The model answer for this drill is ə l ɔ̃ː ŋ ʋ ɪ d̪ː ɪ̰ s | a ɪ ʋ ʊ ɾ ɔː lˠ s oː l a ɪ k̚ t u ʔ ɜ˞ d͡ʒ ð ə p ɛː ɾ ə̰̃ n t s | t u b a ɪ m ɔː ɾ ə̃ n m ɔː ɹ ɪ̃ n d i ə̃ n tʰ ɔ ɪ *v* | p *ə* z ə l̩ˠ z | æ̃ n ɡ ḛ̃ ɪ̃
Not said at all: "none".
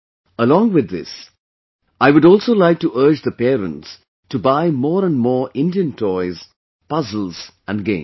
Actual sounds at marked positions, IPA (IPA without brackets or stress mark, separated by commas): z, ʌ